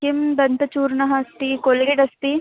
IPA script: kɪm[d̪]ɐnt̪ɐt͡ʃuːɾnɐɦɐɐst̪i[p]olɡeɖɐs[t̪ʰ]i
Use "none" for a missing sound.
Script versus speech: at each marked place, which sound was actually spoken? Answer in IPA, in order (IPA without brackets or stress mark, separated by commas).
d̪, k, t̪